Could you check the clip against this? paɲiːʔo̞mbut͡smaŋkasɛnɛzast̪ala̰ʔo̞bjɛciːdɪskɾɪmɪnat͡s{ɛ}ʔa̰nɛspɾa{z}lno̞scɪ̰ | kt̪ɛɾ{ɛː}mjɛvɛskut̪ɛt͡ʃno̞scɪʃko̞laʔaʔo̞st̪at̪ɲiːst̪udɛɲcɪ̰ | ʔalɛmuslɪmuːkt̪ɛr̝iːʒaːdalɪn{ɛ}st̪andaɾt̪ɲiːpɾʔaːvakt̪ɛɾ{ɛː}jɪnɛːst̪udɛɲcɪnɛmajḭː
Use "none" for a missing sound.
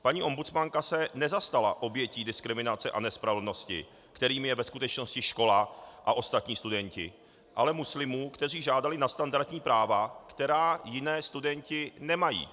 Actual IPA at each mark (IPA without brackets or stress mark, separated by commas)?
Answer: ɛ, v, iː, a, aː